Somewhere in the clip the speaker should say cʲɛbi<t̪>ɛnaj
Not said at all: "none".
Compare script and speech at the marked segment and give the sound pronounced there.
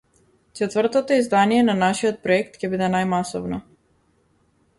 d̪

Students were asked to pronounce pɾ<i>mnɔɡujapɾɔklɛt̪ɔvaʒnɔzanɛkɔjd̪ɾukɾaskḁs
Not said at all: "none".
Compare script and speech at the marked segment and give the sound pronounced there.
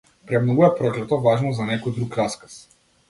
ɛ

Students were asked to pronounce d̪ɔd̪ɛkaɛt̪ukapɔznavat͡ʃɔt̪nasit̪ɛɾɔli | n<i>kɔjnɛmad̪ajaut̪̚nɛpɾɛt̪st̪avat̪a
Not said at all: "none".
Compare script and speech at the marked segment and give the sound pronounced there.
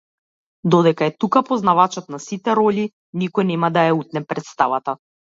i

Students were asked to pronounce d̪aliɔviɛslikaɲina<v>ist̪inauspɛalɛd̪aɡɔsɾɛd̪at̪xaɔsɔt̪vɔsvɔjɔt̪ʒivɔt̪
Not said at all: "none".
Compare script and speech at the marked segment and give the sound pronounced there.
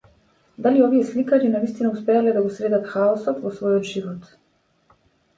v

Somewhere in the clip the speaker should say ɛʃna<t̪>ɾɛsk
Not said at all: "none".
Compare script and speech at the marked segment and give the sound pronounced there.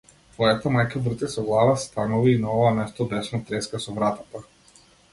t̪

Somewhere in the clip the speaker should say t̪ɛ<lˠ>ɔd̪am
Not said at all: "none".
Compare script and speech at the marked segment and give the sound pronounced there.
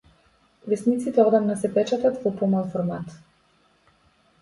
none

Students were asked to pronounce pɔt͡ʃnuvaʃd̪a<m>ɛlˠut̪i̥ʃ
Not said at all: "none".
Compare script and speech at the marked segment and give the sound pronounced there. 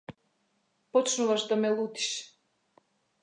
m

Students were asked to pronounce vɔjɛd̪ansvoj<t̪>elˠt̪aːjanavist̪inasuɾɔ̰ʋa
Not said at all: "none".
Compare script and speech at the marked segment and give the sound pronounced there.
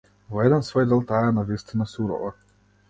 d̪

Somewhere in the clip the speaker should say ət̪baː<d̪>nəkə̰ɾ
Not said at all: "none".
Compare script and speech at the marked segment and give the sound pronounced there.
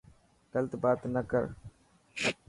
t̪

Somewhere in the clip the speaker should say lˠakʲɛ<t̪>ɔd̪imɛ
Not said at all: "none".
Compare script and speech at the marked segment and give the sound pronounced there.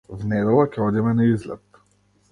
none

